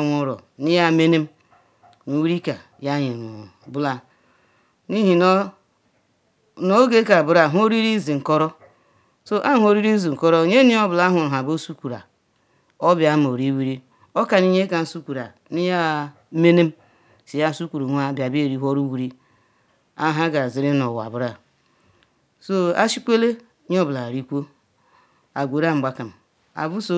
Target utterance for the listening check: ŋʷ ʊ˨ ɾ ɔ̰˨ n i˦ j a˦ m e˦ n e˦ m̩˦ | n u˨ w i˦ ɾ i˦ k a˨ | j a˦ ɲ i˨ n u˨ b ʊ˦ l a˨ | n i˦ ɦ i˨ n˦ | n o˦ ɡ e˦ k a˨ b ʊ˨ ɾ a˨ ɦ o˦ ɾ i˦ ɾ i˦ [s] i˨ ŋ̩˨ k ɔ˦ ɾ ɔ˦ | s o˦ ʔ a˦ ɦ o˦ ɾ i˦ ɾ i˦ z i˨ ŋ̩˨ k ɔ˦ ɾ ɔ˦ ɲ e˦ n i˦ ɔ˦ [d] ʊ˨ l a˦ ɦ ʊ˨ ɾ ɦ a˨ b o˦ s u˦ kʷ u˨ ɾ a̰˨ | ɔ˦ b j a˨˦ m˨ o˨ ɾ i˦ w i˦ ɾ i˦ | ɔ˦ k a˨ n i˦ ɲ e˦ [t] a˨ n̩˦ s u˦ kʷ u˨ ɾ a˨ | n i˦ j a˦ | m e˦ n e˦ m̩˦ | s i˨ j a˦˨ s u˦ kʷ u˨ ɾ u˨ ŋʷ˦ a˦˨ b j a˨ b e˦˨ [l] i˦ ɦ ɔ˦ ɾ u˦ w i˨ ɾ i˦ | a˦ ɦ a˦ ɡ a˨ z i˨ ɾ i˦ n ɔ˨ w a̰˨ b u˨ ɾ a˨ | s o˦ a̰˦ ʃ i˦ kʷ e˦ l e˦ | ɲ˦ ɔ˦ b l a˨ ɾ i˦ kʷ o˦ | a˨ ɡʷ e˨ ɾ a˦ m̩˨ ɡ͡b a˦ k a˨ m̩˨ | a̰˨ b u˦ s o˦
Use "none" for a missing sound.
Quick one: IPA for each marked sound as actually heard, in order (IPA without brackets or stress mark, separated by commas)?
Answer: z, b, k, ɾ